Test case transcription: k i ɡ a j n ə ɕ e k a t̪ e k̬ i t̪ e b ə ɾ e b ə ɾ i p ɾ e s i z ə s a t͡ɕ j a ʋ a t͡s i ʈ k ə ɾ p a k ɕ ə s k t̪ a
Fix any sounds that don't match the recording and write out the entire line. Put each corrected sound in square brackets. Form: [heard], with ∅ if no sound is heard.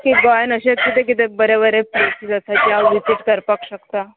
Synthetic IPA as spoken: k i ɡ a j n ə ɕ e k [i] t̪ e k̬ i t̪ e b ə ɾ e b ə ɾ [e] p ɾ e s i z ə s a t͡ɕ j a ʋ [i] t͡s i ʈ k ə ɾ p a k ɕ ə [∅] k t̪ a